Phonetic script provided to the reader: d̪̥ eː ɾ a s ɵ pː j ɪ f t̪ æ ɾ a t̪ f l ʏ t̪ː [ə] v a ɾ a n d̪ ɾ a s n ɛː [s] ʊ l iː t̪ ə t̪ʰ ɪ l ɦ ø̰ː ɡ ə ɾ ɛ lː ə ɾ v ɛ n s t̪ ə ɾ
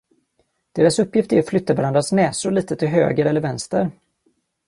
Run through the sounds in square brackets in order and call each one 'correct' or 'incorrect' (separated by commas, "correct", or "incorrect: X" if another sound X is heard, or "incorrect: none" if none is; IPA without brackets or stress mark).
incorrect: a, correct